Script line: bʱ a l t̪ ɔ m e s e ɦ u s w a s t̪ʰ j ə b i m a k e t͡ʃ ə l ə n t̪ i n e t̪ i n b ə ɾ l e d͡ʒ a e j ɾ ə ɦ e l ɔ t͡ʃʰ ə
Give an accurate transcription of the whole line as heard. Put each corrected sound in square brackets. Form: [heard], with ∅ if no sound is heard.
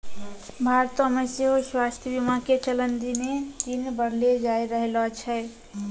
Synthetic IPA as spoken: bʱ a [ɾ] t̪ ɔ m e s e ɦ [o] s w a s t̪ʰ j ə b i m a k e t͡ʃ ə l ə n [d̪] i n e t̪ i n b ə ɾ l e d͡ʒ a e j ɾ ə ɦ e l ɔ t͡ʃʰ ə